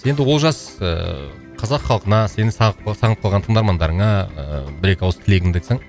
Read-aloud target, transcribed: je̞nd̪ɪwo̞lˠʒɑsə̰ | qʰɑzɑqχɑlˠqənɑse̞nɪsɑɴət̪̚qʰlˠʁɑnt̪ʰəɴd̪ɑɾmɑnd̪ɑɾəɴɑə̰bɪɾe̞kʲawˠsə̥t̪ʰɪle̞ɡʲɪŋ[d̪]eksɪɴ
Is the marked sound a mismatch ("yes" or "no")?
no